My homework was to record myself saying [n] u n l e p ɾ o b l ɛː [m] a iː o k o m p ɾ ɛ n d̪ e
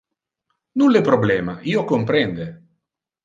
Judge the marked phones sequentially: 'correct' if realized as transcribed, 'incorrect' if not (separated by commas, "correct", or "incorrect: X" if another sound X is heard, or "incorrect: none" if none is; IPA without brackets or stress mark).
correct, correct